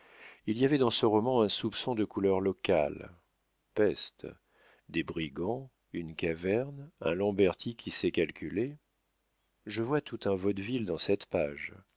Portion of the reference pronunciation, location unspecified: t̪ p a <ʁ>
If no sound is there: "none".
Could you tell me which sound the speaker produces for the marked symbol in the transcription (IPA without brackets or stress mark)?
ʒ